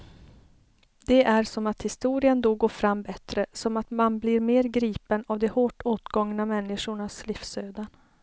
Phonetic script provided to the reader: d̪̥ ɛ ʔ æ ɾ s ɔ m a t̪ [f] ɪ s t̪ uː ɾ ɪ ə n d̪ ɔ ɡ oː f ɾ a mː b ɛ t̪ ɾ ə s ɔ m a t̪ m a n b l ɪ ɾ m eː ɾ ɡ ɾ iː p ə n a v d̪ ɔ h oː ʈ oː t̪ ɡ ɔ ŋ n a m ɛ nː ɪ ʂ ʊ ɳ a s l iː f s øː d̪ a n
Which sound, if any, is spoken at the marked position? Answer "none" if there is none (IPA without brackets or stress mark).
h